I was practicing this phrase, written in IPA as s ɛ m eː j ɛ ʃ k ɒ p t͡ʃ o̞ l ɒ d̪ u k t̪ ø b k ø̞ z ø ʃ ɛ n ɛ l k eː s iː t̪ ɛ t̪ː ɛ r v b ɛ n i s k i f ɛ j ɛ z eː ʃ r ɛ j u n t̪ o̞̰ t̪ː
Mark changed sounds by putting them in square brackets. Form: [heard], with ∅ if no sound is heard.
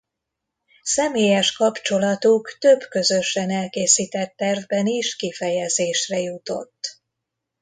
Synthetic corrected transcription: s ɛ m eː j ɛ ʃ k ɒ p t͡ʃ o̞ l ɒ [t̪] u k t̪ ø b k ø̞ z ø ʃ ɛ n ɛ l k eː s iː t̪ ɛ t̪ː ɛ r v b ɛ n i [ʃ] k i f ɛ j ɛ z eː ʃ r ɛ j u [∅] t̪ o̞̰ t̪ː